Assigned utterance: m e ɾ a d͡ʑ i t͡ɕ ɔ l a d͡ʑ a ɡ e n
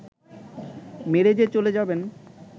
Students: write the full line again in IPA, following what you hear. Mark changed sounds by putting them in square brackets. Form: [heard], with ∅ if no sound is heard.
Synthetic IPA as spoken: m e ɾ [e] d͡ʑ [e] t͡ɕ [o] l [e] d͡ʑ a [b] e n